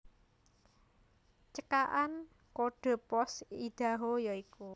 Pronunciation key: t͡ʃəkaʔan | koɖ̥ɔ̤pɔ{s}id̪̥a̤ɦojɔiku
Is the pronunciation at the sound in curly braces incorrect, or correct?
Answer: correct